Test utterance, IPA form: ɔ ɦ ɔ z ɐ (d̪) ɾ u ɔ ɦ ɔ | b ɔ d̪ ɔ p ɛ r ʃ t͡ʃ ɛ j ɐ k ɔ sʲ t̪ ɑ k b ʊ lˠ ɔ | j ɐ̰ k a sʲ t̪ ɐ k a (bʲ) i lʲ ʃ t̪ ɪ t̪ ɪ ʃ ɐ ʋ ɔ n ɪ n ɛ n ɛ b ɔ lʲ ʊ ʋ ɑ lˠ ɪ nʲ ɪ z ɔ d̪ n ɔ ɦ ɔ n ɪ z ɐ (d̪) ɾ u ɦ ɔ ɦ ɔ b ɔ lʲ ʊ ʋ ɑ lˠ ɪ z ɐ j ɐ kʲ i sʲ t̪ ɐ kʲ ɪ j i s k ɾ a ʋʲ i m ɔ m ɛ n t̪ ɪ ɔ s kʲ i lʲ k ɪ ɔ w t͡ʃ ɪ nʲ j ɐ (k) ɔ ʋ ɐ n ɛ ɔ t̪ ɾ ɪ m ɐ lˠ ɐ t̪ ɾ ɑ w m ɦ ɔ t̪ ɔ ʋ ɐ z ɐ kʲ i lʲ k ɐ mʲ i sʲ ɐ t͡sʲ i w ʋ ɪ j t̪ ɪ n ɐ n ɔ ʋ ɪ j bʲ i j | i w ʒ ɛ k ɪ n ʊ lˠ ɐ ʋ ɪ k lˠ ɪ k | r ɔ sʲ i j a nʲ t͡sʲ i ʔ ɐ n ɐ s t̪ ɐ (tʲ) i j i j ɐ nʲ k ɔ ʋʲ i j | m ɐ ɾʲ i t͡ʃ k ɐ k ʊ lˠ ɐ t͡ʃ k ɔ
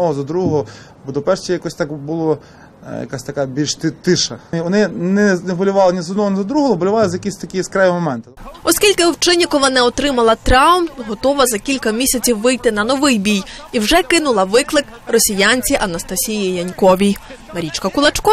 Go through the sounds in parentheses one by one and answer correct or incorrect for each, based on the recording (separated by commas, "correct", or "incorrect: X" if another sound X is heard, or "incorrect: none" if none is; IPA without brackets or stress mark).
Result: correct, correct, correct, correct, incorrect: sʲ